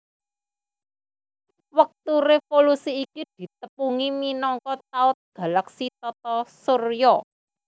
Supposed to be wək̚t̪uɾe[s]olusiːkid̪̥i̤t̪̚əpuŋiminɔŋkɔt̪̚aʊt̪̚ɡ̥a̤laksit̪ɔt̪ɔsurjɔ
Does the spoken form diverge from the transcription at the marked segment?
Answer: yes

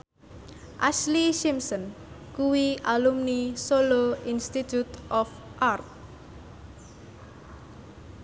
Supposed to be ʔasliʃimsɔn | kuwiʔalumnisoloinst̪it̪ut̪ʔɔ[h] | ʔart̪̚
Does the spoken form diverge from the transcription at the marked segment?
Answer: yes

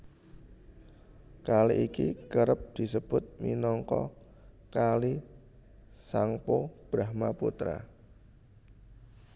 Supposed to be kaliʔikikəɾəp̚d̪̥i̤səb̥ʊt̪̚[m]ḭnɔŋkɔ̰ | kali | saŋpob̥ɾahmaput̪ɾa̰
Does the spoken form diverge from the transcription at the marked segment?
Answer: no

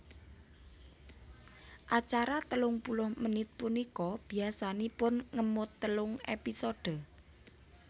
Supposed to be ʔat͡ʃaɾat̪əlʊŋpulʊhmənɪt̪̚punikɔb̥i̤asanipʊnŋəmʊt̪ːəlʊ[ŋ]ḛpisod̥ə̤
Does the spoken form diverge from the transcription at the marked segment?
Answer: no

